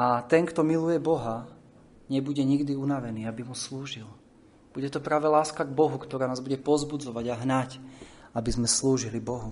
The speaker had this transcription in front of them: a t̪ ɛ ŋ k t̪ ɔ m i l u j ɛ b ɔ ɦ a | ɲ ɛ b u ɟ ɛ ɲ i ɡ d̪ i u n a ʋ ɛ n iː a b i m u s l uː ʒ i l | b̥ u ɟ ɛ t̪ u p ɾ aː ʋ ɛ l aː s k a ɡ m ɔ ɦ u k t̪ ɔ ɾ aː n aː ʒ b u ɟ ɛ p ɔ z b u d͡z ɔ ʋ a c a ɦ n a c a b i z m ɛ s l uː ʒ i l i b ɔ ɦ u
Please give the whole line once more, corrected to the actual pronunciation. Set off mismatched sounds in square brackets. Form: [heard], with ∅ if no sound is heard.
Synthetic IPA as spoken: a t̪ ɛ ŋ k t̪ ɔ m i l u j ɛ b ɔ ɦ a | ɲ ɛ b u ɟ ɛ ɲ i ɡ d̪ i u n a ʋ ɛ n iː a b i m u s l uː ʒ i l | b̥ u ɟ ɛ t̪ [ɔ] p ɾ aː ʋ ɛ l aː s k a ɡ [b] ɔ ɦ u k t̪ ɔ ɾ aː n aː [z] b u ɟ ɛ p ɔ z b u d͡z ɔ ʋ a [ɟ] a ɦ n a c a b i z m ɛ s l uː ʒ i l i b ɔ ɦ u